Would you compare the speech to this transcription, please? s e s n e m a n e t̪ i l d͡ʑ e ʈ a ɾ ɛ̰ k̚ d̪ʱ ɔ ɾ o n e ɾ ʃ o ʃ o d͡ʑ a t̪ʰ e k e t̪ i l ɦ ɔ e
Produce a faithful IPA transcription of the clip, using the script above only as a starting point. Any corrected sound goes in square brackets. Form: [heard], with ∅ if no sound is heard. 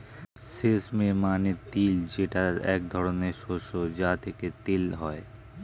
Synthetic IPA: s e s [m] e m a n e t̪ i l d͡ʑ e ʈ a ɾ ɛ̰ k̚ d̪ʱ ɔ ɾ o n e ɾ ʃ o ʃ o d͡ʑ a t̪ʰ e k e t̪ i l ɦ ɔ e